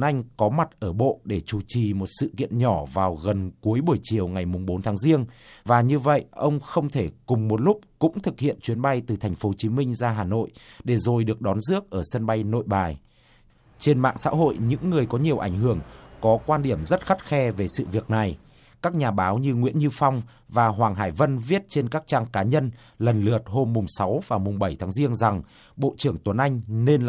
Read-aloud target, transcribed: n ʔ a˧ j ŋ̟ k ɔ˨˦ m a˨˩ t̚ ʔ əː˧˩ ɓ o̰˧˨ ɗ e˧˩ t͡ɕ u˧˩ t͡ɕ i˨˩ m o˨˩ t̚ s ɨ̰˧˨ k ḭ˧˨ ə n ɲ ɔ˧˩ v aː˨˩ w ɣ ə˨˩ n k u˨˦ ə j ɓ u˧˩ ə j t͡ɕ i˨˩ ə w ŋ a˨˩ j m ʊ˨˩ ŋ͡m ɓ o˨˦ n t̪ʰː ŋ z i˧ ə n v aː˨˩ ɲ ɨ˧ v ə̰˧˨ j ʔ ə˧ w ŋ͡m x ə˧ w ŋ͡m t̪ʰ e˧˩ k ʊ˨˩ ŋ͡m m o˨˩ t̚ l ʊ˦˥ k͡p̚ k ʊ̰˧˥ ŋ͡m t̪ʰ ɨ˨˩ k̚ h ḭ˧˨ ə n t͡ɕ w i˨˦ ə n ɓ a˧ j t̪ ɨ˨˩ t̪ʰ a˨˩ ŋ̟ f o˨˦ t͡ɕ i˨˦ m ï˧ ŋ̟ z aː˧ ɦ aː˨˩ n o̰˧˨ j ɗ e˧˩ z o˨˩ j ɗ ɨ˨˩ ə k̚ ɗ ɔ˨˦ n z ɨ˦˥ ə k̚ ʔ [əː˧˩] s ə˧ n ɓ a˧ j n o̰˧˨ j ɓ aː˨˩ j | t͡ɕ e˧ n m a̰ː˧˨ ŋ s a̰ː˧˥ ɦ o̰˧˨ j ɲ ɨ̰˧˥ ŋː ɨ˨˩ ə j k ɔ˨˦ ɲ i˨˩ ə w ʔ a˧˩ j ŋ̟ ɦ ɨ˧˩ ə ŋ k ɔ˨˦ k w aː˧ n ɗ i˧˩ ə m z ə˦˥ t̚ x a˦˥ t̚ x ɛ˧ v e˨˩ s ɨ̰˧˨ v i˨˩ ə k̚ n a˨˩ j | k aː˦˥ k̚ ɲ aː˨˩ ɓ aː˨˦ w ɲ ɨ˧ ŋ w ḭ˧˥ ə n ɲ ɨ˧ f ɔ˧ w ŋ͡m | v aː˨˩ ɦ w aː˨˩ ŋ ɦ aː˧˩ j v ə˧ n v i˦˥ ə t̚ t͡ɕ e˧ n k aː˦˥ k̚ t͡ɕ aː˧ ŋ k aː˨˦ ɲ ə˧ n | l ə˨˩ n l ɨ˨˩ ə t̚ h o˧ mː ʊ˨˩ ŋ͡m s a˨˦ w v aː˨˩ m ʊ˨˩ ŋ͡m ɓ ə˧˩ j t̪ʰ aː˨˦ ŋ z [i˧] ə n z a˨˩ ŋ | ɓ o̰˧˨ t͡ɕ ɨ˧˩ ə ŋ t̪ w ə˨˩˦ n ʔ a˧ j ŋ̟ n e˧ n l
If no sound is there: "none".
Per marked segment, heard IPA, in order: əː˧˩, i˧

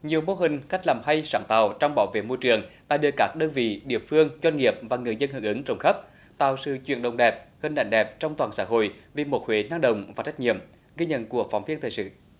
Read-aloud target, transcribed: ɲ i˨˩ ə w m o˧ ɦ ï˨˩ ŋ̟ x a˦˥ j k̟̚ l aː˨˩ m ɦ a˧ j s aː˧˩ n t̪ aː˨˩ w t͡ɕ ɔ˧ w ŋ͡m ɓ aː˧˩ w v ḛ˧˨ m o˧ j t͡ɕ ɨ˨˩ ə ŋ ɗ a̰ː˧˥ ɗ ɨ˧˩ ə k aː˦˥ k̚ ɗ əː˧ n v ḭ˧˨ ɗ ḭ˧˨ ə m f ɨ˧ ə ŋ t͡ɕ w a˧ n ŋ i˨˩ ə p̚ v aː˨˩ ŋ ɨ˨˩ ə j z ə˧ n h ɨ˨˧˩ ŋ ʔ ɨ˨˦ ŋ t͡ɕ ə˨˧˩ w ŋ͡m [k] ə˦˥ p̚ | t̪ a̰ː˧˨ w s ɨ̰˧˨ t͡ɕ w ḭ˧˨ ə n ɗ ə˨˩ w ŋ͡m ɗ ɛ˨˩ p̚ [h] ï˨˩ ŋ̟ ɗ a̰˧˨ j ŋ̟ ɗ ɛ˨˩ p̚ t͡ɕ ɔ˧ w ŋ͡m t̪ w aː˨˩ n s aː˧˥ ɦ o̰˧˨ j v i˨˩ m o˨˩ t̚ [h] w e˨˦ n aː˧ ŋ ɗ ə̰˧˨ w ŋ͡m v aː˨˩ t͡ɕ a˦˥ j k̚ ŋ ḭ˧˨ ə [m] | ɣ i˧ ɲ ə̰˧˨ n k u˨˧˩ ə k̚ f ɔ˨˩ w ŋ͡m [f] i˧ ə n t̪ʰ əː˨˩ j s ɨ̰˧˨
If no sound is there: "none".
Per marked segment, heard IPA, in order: x, h, h, m, v

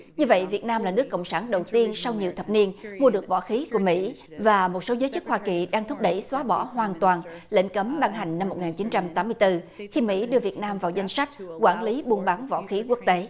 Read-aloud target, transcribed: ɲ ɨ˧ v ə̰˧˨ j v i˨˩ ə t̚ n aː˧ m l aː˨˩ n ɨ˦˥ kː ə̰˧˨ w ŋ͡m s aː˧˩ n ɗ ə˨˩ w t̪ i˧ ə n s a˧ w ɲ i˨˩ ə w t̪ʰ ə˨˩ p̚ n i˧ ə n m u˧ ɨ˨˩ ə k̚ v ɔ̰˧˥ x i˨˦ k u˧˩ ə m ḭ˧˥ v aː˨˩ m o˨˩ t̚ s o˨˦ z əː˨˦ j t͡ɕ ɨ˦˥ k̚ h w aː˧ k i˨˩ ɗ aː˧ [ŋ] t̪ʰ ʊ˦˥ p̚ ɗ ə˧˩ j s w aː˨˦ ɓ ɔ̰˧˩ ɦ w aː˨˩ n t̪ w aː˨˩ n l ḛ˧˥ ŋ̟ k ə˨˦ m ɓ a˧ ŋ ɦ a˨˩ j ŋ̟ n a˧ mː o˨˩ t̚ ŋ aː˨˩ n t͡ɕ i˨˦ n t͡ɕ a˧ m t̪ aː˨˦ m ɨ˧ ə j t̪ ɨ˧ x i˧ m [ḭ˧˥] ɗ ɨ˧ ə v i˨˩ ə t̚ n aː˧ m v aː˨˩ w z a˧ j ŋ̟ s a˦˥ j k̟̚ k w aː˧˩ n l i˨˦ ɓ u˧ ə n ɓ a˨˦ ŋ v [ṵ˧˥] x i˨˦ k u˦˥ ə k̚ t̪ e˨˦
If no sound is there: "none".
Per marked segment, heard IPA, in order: ŋ, ḭ˧˥, ɔ̰˧˥

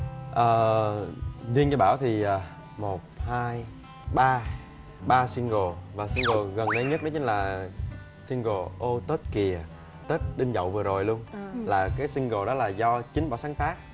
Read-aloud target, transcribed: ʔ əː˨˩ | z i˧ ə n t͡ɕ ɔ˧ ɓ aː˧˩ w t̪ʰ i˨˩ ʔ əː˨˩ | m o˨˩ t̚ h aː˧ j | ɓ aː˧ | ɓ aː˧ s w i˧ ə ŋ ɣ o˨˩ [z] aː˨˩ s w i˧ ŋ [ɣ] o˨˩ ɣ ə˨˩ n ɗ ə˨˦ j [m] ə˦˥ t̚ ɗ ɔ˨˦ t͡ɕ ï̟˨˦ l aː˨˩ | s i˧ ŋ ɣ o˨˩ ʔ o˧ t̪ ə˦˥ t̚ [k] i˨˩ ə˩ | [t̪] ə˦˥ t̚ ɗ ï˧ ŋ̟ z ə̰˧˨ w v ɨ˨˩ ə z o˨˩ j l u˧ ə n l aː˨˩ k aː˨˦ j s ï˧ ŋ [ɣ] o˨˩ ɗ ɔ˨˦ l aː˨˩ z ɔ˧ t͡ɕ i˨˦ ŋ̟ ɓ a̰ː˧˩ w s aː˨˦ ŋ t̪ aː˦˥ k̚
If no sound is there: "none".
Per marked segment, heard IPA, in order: v, ɣ, ɲ, k, t̪, ɣ

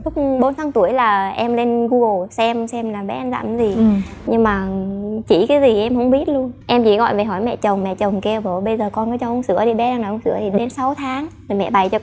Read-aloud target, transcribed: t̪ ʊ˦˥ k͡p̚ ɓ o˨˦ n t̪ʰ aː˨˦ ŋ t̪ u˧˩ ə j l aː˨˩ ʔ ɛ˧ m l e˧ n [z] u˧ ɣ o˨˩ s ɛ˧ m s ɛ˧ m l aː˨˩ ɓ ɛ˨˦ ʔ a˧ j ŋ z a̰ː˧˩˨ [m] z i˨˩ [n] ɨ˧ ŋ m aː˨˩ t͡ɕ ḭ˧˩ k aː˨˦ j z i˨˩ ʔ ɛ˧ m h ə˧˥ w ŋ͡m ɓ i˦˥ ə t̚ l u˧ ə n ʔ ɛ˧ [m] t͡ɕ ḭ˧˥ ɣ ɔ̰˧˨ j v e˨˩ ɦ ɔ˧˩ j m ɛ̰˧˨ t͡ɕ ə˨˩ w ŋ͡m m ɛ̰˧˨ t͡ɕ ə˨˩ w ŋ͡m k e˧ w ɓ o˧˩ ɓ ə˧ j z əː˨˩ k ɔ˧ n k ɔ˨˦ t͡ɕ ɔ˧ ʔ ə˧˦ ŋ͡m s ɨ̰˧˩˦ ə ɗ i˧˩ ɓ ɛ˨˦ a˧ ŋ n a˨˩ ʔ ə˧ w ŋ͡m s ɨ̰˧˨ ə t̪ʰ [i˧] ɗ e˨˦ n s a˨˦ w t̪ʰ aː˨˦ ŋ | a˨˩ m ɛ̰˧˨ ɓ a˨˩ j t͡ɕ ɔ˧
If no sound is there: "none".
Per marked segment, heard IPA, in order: ɣ, m, ɲ, m, i˨˩

